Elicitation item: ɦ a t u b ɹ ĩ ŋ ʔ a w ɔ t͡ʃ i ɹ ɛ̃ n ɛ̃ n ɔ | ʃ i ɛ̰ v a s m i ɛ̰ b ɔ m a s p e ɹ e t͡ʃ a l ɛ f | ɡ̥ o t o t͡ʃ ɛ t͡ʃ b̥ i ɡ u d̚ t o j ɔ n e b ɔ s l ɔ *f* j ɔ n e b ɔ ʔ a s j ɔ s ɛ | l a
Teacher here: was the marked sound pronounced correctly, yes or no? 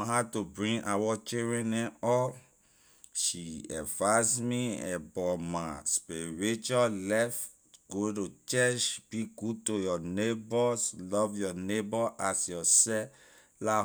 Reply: no